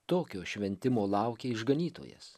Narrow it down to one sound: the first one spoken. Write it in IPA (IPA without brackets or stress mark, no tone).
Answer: t̪